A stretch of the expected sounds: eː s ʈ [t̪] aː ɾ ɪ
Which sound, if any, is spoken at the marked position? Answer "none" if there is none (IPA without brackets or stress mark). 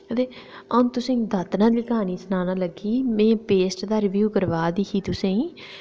d̪